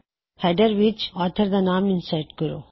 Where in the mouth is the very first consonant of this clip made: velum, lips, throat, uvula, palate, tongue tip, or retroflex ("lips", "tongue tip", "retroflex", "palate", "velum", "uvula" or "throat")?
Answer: throat